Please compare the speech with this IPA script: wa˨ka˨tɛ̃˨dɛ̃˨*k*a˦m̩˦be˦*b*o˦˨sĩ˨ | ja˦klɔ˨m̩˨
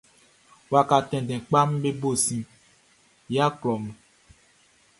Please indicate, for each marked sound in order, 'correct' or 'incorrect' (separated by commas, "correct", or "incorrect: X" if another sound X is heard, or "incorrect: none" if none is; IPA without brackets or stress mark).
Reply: incorrect: k͡p, correct